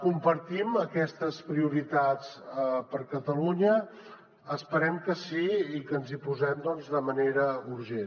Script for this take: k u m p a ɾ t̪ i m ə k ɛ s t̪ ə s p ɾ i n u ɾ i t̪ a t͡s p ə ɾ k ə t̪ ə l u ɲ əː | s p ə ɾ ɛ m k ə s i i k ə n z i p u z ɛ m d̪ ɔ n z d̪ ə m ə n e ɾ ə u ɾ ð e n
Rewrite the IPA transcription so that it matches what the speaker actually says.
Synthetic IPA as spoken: k u m p ə ɾ t̪ i m ə k ɛ s t̪ ə s p ɾ i u ɾ i t̪ a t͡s p ə ɾ k ə t̪ ə l u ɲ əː | s p ə ɾ ɛ m k ə s i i k ə n z i p u z ɛ m d̪ ɔ n z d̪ ə m ə n e ɾ ə u ɾ ʒ e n